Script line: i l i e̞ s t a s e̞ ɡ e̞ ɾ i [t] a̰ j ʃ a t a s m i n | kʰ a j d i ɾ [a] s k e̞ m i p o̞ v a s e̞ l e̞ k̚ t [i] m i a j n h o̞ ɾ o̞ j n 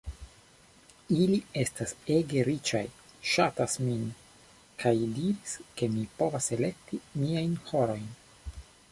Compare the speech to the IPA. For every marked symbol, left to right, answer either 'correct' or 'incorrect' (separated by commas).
incorrect, incorrect, correct